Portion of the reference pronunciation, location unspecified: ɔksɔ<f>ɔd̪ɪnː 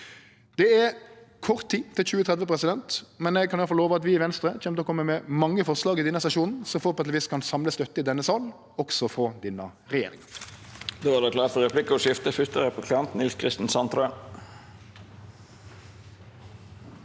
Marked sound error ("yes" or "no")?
no